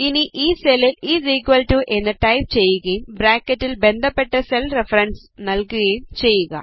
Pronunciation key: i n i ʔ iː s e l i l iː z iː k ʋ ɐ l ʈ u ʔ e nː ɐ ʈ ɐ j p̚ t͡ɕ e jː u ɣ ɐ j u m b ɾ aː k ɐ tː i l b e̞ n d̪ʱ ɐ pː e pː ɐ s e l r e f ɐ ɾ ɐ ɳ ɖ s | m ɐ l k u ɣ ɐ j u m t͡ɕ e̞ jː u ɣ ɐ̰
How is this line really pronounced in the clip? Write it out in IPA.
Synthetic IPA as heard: i n i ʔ iː s e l i l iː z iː k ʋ ɐ l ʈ u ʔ e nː ɐ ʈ ɐ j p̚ t͡ɕ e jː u ɣ ɐ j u m b ɾ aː k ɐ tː i l b e̞ n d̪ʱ ɐ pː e ʈː ɐ s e l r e f ɐ ɾ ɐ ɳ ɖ s | n ɐ l k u ɣ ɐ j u m t͡ɕ e̞ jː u ɣ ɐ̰